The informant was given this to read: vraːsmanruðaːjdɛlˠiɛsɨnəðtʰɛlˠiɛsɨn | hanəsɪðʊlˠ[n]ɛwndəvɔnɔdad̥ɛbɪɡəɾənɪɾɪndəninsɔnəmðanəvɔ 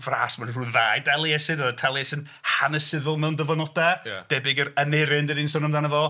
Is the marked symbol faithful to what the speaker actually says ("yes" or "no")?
no